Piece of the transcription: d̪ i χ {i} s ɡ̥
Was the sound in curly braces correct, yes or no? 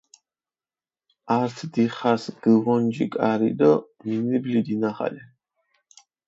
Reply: no